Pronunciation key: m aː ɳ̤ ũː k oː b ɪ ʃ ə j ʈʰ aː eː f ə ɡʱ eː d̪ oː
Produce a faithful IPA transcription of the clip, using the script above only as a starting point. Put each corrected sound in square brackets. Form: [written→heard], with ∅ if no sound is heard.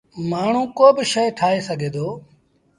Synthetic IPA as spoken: m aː ɳ̤ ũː k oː b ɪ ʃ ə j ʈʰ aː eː [f→s] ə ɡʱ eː d̪ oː